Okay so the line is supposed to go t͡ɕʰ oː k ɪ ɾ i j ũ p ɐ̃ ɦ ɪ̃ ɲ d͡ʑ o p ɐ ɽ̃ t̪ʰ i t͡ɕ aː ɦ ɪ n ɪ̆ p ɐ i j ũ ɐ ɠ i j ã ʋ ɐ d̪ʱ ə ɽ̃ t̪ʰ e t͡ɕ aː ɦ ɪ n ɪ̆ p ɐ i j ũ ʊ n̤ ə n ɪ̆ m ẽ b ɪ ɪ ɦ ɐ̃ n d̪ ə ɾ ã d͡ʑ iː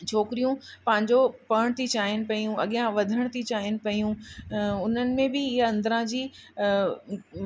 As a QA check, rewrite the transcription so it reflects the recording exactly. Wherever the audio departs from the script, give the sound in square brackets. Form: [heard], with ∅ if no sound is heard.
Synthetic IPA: t͡ɕʰ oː k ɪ ɾ i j ũ p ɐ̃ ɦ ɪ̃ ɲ d͡ʑ o p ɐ ɽ̃ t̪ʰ i t͡ɕ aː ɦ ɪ n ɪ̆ p ɐ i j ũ ɐ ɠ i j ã ʋ ɐ d̪ʱ ə ɽ̃ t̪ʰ [i] t͡ɕ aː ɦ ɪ n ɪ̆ p ɐ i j ũ ʊ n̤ ə n ɪ̆ m ẽ b ɪ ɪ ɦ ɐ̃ n d̪ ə ɾ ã d͡ʑ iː